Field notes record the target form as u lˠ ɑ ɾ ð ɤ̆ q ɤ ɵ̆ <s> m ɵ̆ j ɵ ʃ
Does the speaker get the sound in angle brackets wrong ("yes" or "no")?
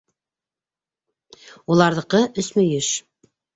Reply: no